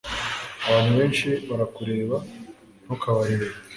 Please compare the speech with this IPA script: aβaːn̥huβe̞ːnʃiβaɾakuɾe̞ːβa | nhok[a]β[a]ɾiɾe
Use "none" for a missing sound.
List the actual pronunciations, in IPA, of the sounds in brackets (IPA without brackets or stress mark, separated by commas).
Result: a, a